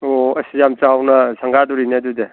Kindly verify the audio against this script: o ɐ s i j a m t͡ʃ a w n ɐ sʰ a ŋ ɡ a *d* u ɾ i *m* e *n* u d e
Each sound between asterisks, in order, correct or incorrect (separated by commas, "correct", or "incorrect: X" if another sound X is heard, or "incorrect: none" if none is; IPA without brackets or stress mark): correct, incorrect: n, incorrect: d